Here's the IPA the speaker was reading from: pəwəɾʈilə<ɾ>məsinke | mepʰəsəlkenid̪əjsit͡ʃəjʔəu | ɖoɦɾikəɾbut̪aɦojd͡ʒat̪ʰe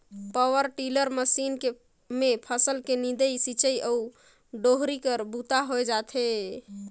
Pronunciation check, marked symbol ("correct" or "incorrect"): correct